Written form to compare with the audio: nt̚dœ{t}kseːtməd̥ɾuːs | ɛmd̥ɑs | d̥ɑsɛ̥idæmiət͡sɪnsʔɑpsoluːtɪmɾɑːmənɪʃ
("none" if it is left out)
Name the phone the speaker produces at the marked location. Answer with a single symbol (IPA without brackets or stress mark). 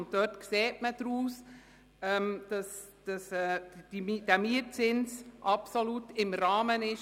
t